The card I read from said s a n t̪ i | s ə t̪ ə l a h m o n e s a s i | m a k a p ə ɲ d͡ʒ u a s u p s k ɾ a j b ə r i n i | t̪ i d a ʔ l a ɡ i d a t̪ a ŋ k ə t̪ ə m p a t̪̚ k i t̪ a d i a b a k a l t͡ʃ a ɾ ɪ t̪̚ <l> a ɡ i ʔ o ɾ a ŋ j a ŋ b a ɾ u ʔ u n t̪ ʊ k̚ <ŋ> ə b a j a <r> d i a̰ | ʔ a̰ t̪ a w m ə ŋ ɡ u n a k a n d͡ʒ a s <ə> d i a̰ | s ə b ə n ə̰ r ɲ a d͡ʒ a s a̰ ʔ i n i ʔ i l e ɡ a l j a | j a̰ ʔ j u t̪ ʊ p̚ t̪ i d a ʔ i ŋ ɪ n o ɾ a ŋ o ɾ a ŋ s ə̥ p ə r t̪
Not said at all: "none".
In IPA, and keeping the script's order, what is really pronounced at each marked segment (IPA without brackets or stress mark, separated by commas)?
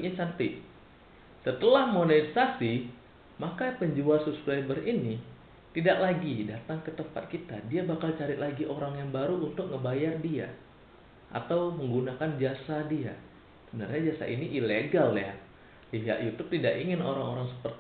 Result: l, ŋ, r, a